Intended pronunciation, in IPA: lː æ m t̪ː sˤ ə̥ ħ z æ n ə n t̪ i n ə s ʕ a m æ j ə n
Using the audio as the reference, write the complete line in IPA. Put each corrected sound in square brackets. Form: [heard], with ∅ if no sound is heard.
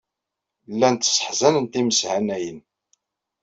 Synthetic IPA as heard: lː æ [n] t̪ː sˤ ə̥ ħ z æ n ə n t̪ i [m] ə s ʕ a [n] æ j ə n